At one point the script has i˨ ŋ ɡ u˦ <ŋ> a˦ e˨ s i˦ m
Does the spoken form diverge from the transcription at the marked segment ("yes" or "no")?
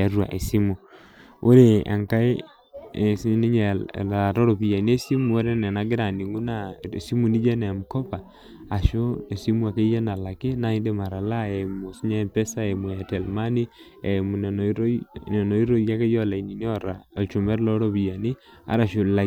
yes